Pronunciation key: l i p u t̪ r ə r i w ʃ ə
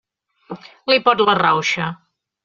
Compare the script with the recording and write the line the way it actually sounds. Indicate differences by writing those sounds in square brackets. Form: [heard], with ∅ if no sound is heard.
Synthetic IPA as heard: l i p [ɔ] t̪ [l] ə r [a] w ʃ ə